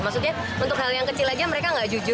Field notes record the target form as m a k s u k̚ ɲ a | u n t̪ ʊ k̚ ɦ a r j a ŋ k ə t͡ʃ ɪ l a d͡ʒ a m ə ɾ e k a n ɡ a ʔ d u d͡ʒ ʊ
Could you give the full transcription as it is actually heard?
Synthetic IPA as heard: m a k s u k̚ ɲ a | u n t̪ ʊ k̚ ɦ a l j a ŋ k ə t͡ʃ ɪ l a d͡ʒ a m ə ɾ e k a ŋ ɡ a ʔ d͡ʒ u d͡ʒ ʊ